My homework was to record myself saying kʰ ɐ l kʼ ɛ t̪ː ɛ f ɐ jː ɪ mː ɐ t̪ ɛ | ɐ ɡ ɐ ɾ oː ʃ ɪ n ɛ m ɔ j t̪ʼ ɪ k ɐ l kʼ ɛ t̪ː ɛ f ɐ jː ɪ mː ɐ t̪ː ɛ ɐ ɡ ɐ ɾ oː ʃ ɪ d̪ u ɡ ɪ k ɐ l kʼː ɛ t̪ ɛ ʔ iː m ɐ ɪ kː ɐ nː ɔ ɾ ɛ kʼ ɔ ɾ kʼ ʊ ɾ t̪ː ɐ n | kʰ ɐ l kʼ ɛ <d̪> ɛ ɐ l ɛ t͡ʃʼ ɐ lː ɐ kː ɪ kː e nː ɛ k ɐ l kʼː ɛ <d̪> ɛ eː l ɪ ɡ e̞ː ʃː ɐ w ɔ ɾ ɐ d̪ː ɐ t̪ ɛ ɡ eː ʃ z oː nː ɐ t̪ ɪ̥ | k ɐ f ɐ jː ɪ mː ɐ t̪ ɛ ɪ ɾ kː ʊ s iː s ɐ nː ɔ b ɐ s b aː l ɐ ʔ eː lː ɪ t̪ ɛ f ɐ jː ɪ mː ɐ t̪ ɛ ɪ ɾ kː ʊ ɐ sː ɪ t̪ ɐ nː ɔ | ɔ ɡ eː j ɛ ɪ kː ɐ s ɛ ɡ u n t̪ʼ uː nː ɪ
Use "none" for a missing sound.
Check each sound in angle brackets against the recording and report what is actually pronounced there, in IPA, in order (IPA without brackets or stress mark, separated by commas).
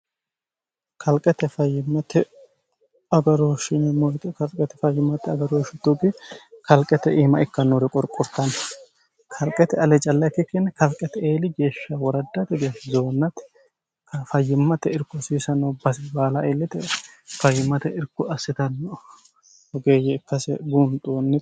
t̪, t̪